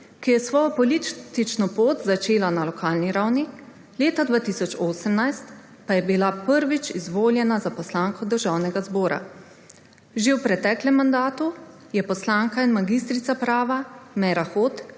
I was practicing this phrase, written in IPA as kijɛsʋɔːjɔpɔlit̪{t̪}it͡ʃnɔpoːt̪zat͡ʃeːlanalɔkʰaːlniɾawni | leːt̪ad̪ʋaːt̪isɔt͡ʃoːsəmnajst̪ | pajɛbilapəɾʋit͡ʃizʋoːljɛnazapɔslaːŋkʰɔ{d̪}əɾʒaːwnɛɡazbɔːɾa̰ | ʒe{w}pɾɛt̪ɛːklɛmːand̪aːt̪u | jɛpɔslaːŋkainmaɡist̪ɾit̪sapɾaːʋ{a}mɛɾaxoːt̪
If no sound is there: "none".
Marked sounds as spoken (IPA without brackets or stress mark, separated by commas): t̪, d̪, w, a